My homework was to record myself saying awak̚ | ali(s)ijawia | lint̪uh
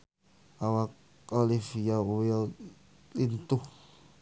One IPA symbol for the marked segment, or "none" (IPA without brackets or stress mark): f